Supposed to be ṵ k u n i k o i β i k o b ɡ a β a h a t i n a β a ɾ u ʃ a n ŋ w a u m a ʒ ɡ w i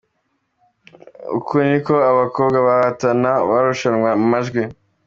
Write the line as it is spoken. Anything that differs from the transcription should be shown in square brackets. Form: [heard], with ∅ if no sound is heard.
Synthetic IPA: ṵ k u n i k o [a] β [a] k o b ɡ a β a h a t [a] n a β a ɾ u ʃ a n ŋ w a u m a ʒ ɡ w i